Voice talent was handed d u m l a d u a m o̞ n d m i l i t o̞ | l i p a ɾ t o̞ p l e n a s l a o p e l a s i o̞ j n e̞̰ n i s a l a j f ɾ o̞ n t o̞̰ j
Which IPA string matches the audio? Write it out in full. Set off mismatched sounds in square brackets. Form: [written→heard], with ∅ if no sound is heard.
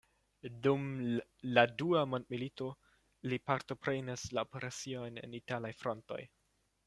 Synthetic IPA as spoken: d u m l a d u a m o̞ n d m i l i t o̞ | l i p a ɾ t o̞ p [l→ɾ] e n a s l a o p e [l→ɾ] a s i o̞ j n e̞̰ n i [s→t] a l a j f ɾ o̞ n t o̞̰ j